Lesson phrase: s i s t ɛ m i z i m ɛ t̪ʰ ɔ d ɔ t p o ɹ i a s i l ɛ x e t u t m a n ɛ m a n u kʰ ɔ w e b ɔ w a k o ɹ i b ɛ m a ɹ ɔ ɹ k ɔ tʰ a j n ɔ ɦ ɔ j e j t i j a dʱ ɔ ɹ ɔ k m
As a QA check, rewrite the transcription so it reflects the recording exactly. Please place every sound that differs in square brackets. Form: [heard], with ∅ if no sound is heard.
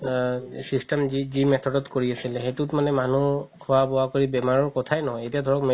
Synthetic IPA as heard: s i s t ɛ m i z i m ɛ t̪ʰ ɔ d ɔ t [k] o ɹ i a s i l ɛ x e t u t m a n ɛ m a n u kʰ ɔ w [a] b ɔ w a k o ɹ i b ɛ m a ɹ ɔ ɹ k ɔ tʰ a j n ɔ ɦ ɔ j e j t i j a dʱ ɔ ɹ ɔ k m